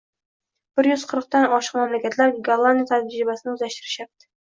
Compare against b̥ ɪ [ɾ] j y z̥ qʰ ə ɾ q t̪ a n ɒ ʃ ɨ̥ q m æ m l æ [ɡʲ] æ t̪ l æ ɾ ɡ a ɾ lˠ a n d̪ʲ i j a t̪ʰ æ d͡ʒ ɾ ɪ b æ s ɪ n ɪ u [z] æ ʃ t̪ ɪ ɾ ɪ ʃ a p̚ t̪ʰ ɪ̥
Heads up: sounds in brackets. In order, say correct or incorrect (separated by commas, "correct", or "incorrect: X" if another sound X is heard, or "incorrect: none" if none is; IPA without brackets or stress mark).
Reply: correct, incorrect: kʲ, correct